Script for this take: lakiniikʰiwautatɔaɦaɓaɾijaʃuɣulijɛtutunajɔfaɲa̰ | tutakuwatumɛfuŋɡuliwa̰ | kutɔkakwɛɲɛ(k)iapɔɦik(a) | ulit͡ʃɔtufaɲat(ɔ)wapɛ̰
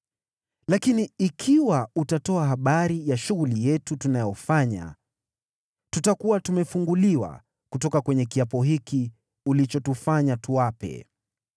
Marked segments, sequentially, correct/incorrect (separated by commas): correct, incorrect, incorrect